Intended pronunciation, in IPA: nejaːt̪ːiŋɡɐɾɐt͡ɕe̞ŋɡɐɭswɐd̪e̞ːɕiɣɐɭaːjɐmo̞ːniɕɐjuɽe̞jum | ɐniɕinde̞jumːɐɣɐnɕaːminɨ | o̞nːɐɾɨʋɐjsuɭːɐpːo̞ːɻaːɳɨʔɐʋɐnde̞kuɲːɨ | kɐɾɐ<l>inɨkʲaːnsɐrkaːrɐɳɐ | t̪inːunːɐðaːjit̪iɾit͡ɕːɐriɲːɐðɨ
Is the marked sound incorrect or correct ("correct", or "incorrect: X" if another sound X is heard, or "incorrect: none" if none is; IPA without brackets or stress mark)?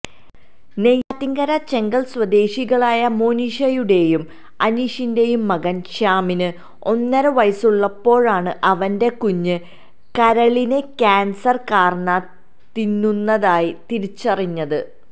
incorrect: ɭ